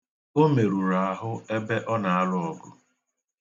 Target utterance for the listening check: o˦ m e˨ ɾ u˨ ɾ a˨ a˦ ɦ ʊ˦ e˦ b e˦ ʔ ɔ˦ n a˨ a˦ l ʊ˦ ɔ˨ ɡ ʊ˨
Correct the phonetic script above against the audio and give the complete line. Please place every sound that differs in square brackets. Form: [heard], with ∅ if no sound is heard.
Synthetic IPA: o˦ m e˨ ɾ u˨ ɾ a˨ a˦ ɦ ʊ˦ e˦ b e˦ ʔ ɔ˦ n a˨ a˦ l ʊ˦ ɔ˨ ɡ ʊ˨